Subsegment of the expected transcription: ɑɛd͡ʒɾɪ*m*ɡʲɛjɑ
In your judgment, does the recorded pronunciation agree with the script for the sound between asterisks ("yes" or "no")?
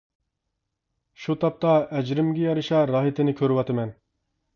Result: yes